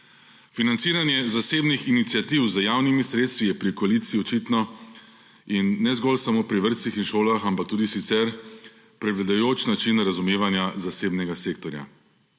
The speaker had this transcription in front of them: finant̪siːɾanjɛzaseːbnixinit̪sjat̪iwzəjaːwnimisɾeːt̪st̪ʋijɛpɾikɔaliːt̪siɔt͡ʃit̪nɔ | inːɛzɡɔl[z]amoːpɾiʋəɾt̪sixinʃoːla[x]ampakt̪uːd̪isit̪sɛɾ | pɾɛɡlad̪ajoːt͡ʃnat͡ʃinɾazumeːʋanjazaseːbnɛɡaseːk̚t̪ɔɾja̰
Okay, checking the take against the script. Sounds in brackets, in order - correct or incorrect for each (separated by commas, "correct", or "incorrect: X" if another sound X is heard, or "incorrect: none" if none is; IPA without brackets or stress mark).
incorrect: s, correct